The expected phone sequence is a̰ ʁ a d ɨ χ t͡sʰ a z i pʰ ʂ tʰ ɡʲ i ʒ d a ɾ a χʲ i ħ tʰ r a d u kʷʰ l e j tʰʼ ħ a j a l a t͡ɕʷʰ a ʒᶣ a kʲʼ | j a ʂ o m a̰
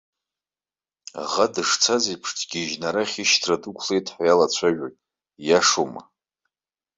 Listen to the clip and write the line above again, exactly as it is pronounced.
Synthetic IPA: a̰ ʁ a d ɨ ʂ t͡sʰ a z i pʰ ʂ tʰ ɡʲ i ʒ n a ɾ a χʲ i ʃ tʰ r a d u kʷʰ l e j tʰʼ ħ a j a l a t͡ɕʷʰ a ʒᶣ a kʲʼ | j a ʂ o m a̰